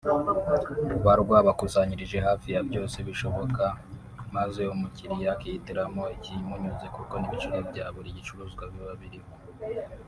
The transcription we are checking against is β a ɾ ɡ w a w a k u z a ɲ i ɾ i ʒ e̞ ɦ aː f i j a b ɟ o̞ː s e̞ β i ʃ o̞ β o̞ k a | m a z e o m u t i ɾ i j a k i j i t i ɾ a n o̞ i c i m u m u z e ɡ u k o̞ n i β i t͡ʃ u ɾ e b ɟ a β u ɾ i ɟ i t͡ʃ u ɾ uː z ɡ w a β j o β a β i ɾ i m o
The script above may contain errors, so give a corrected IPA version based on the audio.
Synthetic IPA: β a ɾ ɡ w a β a k u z a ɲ i ɾ i ʒ e̞ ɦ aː f i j a b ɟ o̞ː s e̞ β i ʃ o̞ β o̞ k a | m a z e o m u c i ɾ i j a k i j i t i ɾ a m o̞ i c i m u ɲ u z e k u k o̞ n i β i t͡ʃ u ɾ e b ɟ a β u ɾ i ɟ i t͡ʃ u ɾ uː z ɡ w a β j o β a β i ɾ i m o